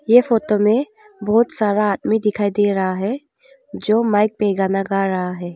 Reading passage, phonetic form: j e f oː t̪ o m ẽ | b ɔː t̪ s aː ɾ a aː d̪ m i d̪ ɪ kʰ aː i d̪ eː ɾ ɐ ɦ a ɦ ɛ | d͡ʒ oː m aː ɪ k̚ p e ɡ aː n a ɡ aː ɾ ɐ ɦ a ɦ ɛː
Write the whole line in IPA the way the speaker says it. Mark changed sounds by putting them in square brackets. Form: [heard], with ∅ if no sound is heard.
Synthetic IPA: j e f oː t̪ o m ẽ | b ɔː t̪ s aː ɾ a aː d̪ m i d̪ ɪ kʰ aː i d̪ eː ɾ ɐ ɦ a ɦ ɛ | d͡ʒ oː m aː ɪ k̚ p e ɡ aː n a ɡ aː ɾ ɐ ɦ a ɦ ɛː

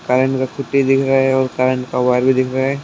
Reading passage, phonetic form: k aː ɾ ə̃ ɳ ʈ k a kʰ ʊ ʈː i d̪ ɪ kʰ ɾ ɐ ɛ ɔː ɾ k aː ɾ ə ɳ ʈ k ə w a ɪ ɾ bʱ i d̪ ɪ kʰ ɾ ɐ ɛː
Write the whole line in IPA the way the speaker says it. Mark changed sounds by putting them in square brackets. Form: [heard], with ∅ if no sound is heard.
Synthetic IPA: k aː ɾ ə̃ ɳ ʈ k a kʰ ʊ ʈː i d̪ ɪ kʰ ɾ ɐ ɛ ɔː ɾ k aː ɾ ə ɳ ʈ k [a] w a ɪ ɾ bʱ i d̪ ɪ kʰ ɾ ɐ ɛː

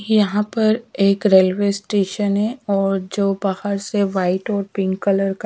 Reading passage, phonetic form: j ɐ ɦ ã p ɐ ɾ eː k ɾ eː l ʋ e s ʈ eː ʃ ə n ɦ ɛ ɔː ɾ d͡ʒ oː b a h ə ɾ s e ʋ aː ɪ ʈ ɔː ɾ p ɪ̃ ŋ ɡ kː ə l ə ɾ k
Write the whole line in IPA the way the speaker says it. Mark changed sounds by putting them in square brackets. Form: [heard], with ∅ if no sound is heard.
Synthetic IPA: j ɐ ɦ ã p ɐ ɾ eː k ɾ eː l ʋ e s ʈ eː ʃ ə n ɦ ɛ ɔː ɾ d͡ʒ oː b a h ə ɾ s e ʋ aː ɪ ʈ ɔː ɾ p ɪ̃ ŋ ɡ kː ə l ə ɾ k

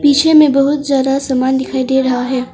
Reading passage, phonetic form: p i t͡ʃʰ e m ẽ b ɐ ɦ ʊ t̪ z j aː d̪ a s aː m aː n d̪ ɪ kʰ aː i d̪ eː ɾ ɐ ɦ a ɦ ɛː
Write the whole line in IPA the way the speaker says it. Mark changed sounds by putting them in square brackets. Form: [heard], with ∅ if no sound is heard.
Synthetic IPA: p [iː] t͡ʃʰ e m ẽ b ɐ ɦ ʊ t̪ z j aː d̪ a s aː m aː n d̪ ɪ kʰ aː i d̪ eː ɾ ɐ ɦ a ɦ ɛː

